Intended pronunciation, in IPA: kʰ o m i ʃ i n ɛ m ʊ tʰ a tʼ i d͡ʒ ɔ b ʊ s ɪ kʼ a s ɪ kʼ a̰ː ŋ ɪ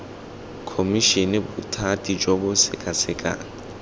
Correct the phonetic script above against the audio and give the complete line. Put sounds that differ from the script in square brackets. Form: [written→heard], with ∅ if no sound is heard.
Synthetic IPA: kʰ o m i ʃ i n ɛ [m→b] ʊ tʰ a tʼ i d͡ʒ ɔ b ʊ s ɪ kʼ a s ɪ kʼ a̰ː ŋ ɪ